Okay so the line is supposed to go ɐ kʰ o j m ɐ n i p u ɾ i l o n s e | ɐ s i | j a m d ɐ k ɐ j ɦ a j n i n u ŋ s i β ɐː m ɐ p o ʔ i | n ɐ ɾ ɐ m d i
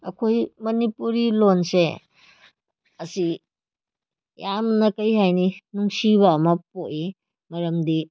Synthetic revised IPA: ɐ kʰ o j m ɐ n i p u ɾ i l o n s e | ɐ s i | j a m n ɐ k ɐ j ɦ a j n i n u ŋ s i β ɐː m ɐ p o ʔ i | m ɐ ɾ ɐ m d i